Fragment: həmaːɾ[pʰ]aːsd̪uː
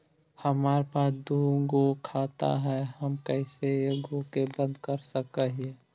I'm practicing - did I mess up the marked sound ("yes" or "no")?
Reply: yes